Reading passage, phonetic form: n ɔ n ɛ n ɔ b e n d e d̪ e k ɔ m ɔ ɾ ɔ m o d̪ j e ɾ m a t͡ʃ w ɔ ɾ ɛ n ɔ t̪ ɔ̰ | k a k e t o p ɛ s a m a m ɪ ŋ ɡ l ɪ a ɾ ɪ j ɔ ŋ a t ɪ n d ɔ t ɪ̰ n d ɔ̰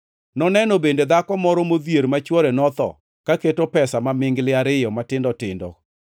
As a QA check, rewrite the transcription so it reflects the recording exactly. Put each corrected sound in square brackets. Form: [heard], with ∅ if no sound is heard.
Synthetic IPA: n ɔ n ɛ n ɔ b e n d e d̪ [a] k ɔ m ɔ ɾ ɔ m o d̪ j e ɾ m a t͡ʃ w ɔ ɾ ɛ n ɔ t̪ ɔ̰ | k a k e t o p ɛ s a m a m ɪ ŋ ɡ l ɪ a ɾ ɪ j ɔ [m] a t ɪ n d ɔ t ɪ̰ n d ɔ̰